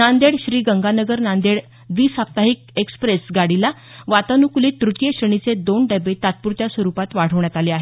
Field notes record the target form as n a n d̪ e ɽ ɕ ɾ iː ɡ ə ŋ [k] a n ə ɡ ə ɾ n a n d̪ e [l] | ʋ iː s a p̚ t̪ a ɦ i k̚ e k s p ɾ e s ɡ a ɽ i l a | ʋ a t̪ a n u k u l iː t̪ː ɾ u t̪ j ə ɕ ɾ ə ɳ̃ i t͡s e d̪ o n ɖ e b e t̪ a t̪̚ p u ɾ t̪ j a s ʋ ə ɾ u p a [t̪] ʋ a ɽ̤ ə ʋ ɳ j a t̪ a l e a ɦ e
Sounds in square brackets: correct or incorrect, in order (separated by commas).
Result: incorrect, incorrect, correct